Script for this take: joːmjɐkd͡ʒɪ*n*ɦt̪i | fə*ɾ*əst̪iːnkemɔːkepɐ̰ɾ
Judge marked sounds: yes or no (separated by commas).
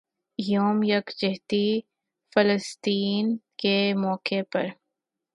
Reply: no, no